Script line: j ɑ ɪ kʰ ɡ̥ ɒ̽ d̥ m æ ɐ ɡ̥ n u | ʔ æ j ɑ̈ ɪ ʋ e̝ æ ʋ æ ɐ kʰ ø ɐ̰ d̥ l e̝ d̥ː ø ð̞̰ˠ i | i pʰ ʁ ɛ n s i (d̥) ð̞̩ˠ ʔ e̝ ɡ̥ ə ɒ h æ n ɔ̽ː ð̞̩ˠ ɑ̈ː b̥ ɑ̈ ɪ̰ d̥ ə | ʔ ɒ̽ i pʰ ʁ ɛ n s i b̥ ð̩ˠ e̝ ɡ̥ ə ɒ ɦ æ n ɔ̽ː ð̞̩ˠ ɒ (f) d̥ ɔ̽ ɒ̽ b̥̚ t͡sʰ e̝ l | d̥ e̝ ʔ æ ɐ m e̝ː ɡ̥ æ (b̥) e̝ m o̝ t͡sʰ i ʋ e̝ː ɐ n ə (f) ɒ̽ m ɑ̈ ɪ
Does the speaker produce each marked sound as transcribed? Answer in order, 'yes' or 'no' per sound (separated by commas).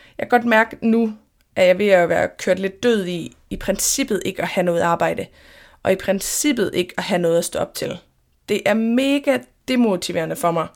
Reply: no, no, no, yes